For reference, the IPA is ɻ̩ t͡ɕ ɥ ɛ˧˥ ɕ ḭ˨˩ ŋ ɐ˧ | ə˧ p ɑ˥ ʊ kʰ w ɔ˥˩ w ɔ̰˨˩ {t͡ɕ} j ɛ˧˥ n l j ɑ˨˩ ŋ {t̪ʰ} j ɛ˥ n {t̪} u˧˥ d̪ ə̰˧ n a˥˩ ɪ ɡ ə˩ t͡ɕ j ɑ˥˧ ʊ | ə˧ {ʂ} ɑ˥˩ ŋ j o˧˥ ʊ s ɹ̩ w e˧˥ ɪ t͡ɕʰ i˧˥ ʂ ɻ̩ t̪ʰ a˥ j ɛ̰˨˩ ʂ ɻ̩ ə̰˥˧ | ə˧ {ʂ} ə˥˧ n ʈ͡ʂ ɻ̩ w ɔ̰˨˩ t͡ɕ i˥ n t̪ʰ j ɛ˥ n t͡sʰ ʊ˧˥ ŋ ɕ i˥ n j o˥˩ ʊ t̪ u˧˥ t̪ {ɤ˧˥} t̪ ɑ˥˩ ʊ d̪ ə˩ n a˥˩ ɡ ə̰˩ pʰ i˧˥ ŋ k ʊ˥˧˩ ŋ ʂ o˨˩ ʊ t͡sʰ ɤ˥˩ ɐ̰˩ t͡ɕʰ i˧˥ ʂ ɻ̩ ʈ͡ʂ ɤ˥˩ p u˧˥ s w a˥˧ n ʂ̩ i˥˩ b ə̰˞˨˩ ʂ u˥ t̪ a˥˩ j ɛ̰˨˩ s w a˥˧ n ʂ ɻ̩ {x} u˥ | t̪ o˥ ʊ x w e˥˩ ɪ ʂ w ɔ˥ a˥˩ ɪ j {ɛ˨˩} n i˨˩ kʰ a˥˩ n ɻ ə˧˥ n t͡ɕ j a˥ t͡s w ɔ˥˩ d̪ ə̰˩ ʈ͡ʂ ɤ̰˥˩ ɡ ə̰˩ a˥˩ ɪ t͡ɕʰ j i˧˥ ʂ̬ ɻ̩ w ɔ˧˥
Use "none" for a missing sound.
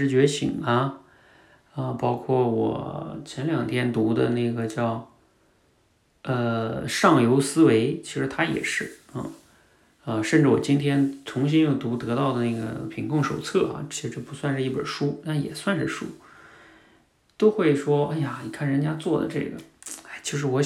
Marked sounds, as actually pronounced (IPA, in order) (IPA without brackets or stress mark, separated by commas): t͡ɕʰ, t̪ʰ, t̪, ʂ, ʂ, ɤ˧˥, ʂ, a˨˩